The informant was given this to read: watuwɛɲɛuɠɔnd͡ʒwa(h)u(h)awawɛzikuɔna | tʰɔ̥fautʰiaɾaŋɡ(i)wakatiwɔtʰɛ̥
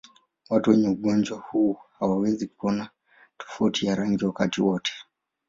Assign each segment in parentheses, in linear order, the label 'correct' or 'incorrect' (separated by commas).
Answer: correct, correct, correct